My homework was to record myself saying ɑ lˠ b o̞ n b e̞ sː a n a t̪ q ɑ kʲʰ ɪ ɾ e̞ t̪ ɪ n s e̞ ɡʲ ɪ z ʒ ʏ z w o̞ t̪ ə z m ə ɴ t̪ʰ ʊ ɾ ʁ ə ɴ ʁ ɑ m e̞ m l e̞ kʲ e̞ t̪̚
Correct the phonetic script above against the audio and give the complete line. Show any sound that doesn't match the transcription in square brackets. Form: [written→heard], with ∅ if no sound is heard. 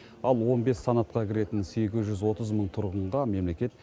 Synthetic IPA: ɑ lˠ [b→w] o̞ n b e̞ sː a n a t̪ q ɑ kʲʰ ɪ ɾ e̞ t̪ ɪ n s e̞ ɡʲ ɪ z ʒ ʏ z w o̞ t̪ ə z m ə ɴ t̪ʰ ʊ ɾ ʁ ə ɴ ʁ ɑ m e̞ m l e̞ kʲ e̞ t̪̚

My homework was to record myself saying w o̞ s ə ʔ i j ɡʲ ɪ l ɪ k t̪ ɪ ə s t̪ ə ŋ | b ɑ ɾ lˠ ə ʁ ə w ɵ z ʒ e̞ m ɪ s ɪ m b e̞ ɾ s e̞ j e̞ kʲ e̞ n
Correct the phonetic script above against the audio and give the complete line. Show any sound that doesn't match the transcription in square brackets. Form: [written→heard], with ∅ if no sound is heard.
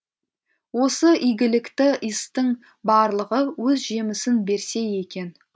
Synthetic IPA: w o̞ s ə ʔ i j ɡʲ ɪ l ɪ k t̪ ɪ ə s t̪ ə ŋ | b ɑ ɾ lˠ ə ʁ ə w ɵ z ʒ e̞ m ɪ s ɪ [m→n] b e̞ ɾ s e̞ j e̞ kʲ e̞ n

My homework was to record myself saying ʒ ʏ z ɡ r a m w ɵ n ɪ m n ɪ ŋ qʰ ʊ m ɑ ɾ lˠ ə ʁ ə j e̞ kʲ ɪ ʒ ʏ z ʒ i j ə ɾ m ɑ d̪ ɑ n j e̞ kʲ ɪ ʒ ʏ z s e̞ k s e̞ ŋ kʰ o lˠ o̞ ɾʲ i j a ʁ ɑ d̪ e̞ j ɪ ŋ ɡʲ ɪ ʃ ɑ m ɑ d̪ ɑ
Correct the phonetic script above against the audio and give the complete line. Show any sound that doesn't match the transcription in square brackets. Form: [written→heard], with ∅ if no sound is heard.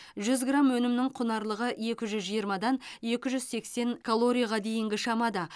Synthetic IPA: ʒ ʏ z ɡ r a m w ɵ n ɪ m n ɪ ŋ qʰ ʊ [m→n] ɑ ɾ lˠ ə ʁ ə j e̞ kʲ ɪ ʒ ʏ z ʒ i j ə ɾ m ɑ d̪ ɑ n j e̞ kʲ ɪ ʒ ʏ z s e̞ k s e̞ ŋ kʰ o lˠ o̞ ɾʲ i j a ʁ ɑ d̪ e̞ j ɪ ŋ ɡʲ ɪ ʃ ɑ m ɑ d̪ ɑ

